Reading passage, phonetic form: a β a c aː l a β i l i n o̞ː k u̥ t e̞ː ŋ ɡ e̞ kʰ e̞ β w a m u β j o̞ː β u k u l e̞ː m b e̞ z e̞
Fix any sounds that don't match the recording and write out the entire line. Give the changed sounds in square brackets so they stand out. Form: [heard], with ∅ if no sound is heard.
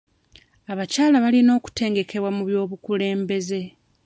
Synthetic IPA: a β a c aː l a β [a] l i n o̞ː k u̥ t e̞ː ŋ ɡ e̞ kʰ e̞ β w a m u β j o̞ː β u k u l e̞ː m b e̞ z e̞